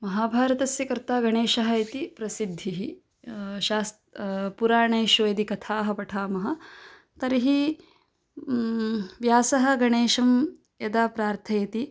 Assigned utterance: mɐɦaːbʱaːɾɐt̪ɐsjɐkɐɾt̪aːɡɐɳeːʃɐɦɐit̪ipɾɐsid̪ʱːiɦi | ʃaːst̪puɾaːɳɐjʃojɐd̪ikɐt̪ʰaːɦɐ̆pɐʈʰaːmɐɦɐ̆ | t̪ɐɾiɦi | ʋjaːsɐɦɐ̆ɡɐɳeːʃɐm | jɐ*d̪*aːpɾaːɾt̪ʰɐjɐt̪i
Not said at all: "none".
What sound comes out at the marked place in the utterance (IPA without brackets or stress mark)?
d̪